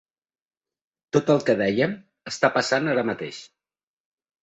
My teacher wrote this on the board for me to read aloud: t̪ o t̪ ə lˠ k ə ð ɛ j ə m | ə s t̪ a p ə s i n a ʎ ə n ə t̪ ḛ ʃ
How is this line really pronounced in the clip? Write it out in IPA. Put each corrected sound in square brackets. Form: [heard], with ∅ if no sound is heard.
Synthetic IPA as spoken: t̪ o t̪ ə lˠ k ə ð ɛ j ə m | ə s t̪ a p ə s [a] n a [ɾ] ə [m] ə t̪ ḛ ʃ